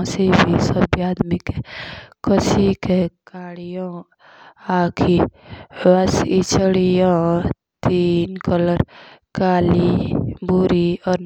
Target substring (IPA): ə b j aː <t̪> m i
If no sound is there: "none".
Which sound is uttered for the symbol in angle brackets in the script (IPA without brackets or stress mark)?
d̪